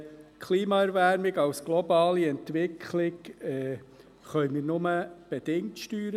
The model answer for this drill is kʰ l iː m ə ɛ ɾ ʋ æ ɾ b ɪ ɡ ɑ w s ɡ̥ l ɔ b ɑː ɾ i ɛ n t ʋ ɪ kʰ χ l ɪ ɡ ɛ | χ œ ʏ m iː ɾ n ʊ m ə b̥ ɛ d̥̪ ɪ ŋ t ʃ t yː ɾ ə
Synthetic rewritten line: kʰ l iː m ɑ ɛ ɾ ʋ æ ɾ m ɪ ɡ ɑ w s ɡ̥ l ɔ b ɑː l i ɛ n t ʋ ɪ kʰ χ l ɪ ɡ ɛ | χ œ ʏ m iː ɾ n ʊ m ə b̥ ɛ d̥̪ ɪ ŋ t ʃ t yː ɾ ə